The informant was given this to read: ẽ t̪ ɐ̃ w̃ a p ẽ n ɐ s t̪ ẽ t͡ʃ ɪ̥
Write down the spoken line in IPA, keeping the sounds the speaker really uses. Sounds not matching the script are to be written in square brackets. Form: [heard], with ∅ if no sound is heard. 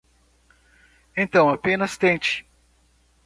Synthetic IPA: ẽ t̪ ɐ̃ w̃ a p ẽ n ɐ s t̪ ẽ t͡ʃ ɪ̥